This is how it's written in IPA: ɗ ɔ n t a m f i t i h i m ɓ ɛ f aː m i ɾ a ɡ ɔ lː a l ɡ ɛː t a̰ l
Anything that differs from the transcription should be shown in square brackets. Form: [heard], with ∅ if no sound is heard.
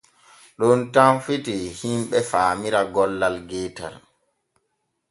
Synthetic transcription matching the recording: ɗ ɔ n t a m f i t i h i m ɓ ɛ f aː m i ɾ a ɡ ɔ lː a l ɡ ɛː t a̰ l